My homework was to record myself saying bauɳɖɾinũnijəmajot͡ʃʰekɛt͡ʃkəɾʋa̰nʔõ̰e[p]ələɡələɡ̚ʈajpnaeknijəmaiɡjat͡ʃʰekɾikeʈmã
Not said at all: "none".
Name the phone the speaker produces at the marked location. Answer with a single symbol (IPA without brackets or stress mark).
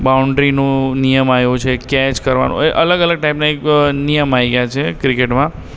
ʔ